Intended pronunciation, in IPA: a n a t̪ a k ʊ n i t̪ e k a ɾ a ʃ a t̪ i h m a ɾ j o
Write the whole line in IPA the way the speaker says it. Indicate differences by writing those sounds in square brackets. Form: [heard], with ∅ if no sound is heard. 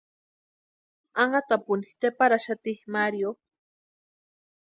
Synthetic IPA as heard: a [ŋ] a t̪ a [p] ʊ n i t̪ e [p] a ɾ a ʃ a t̪ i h m a ɾ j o